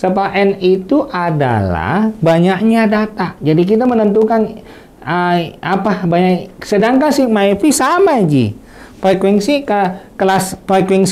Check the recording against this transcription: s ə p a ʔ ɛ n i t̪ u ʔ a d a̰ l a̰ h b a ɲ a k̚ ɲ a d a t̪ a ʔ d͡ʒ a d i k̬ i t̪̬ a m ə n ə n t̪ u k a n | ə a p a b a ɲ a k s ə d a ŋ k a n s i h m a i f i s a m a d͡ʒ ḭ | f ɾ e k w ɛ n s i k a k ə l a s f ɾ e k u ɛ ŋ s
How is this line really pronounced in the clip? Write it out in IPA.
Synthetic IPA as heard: s ə p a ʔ ɛ n i t̪ u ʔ a d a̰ l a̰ h b a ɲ a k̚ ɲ a d a t̪ a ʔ d͡ʒ a d i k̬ i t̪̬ a m ə n ə n t̪ u k a n | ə a p a b a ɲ a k s ə d a ŋ k a n s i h m a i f i s a m a d͡ʒ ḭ | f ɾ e k w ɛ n s i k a k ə l a s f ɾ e k w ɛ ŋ s